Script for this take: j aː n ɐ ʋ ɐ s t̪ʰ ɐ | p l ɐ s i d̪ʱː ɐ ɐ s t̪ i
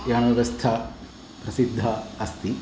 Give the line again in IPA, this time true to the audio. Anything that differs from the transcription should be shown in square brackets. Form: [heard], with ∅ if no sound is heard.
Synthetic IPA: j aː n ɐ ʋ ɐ s t̪ʰ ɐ | p [ɾ] ɐ s i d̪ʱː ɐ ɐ s t̪ i